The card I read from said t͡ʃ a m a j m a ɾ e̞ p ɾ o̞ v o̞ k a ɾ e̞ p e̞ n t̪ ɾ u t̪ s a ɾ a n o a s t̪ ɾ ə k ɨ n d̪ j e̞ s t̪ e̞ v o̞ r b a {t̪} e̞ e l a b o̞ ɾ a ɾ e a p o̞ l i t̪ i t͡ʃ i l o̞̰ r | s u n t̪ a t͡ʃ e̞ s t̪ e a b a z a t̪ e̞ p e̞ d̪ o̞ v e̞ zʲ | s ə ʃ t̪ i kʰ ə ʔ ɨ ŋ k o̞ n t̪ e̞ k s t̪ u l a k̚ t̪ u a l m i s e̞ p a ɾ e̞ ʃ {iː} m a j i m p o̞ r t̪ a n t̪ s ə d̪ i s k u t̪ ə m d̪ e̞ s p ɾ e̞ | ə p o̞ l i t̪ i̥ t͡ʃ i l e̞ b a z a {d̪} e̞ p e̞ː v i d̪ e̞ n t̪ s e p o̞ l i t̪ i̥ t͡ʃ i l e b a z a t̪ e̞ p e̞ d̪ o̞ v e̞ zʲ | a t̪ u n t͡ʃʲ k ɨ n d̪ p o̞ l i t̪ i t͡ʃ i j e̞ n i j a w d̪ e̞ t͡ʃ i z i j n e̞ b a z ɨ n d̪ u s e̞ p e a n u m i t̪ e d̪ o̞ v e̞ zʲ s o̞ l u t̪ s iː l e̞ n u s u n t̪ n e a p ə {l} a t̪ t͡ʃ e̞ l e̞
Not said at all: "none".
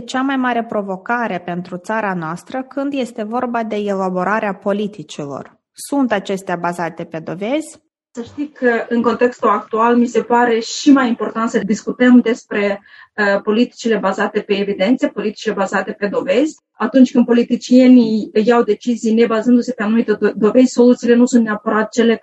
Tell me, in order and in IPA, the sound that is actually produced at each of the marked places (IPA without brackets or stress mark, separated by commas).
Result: d̪, i, t̪, ɾ